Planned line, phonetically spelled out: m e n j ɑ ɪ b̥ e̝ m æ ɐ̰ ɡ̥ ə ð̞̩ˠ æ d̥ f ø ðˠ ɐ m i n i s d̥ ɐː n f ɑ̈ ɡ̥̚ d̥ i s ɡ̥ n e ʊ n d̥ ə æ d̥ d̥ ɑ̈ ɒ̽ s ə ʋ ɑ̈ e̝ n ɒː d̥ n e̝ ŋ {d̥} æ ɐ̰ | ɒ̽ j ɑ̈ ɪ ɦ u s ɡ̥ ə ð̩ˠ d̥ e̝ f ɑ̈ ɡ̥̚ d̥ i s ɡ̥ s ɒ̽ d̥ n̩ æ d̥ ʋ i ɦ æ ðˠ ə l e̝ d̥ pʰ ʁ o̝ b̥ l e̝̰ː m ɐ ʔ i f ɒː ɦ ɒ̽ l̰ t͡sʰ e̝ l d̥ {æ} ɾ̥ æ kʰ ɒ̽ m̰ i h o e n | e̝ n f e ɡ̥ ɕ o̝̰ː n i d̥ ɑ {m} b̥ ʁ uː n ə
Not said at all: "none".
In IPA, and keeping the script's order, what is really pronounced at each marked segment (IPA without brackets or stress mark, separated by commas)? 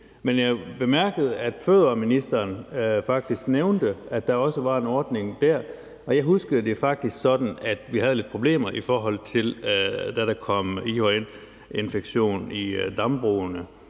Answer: d̥, æ, m